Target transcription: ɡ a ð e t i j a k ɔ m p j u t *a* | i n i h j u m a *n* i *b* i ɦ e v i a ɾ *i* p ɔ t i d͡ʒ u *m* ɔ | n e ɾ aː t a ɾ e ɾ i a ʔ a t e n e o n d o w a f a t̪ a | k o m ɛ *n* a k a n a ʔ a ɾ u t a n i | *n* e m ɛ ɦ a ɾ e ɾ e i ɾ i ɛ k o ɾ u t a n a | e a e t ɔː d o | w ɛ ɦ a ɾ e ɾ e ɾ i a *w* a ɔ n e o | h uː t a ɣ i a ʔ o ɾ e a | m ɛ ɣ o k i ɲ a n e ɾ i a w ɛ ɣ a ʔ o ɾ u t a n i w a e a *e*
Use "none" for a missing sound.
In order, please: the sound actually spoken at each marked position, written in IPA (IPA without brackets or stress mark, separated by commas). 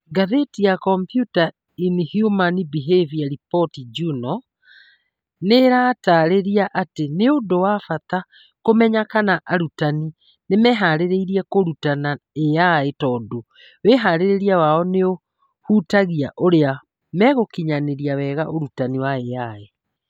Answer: a, n, b, i, n, ɲ, n, w, e